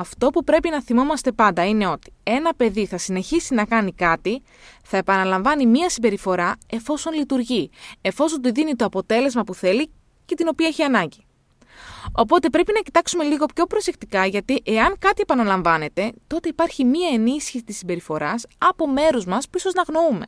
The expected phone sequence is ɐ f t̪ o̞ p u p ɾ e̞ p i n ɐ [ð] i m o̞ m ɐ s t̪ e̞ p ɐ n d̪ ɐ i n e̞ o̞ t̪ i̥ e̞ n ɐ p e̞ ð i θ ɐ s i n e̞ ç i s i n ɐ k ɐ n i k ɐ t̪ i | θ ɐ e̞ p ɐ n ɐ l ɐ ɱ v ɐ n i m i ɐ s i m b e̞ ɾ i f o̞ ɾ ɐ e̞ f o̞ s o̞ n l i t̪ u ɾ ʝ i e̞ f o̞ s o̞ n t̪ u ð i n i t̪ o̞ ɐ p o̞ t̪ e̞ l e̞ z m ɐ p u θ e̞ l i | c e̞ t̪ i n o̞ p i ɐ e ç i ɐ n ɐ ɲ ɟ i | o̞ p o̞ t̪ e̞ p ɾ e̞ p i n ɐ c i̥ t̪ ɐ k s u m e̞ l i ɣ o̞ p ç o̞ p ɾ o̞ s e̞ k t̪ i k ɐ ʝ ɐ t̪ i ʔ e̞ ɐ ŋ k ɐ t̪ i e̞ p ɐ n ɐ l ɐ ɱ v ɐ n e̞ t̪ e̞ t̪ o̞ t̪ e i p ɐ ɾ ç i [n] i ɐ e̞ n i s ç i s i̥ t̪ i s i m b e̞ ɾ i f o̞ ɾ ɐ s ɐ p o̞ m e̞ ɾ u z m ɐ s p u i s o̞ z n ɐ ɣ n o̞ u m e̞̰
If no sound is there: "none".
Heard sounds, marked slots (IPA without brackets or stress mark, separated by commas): θ, m